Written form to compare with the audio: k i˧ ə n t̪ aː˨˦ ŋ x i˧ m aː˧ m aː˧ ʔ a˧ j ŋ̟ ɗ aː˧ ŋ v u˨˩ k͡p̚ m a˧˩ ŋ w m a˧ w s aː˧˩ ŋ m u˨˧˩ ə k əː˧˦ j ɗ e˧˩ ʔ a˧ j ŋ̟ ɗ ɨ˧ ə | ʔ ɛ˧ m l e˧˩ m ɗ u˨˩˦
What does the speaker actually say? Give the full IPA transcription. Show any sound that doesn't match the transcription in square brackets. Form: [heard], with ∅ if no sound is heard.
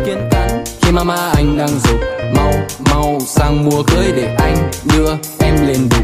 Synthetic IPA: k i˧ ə n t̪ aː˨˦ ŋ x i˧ m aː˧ m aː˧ ʔ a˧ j ŋ̟ ɗ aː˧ ŋ [z] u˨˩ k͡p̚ m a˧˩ [∅] w m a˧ w s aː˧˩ ŋ m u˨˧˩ ə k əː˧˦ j ɗ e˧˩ ʔ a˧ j ŋ̟ ɗ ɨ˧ ə | ʔ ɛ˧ m l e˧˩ [n] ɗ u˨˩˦